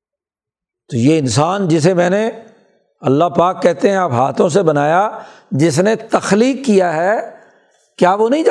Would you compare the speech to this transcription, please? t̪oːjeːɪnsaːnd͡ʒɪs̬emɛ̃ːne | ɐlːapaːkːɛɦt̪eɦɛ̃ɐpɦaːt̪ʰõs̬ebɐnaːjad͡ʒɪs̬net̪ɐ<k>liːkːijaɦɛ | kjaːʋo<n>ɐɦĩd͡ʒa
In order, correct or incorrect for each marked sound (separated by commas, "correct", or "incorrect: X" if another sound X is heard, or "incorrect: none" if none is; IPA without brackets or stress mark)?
incorrect: x, correct